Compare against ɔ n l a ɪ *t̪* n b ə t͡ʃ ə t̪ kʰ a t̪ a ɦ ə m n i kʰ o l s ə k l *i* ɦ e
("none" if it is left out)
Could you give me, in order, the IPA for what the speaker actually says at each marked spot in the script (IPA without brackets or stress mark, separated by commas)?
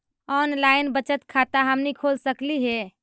none, i